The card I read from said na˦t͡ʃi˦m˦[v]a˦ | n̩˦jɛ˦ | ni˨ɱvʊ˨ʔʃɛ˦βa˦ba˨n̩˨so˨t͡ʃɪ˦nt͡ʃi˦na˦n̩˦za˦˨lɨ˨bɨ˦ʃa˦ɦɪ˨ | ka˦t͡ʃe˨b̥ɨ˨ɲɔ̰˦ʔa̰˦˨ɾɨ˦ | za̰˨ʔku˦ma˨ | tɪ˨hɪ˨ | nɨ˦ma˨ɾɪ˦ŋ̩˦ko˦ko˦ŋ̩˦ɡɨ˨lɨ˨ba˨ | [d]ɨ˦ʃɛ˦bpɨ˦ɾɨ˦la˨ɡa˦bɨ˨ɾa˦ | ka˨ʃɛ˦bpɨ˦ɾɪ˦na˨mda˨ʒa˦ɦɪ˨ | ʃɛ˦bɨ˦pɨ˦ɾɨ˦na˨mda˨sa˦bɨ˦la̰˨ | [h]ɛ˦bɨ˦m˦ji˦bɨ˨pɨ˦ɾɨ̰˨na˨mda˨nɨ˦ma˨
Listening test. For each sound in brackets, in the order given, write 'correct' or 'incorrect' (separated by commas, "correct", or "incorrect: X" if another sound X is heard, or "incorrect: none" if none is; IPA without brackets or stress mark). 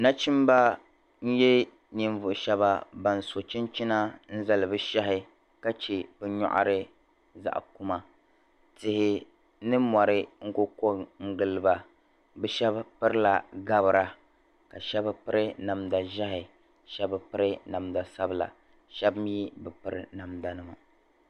incorrect: b, incorrect: b, incorrect: ʃ